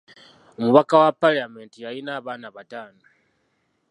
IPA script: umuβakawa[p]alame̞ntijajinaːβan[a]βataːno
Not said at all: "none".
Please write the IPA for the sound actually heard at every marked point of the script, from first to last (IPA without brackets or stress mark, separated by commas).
p, a